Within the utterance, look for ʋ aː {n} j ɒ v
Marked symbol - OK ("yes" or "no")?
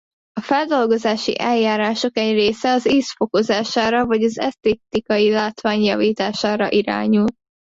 no